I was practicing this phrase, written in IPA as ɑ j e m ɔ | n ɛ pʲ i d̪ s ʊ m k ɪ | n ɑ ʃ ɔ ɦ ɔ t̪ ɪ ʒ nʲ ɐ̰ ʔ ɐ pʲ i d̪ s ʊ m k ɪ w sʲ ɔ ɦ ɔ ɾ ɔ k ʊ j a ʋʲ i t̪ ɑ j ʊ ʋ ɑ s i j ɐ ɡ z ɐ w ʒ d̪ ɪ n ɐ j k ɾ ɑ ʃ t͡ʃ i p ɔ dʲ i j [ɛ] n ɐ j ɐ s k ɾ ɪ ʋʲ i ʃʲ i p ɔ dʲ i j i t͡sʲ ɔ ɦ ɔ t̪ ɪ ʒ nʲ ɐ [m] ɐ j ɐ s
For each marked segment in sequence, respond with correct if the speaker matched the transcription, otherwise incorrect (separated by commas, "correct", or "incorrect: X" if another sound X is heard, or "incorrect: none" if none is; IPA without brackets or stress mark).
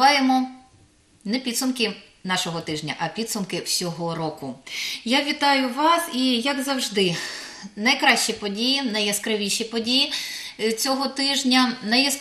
incorrect: i, incorrect: n